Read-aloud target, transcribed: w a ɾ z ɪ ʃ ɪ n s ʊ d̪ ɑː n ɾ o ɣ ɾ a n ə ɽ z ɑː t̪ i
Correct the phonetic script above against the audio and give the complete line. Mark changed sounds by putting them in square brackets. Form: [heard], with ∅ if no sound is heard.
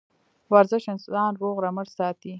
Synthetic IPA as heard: w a ɾ z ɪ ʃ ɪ n s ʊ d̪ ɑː n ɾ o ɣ ɾ a [m] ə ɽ [s] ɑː t̪ i